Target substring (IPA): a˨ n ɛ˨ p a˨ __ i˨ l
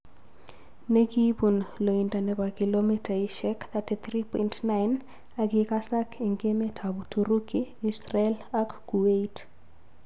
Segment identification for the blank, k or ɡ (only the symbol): k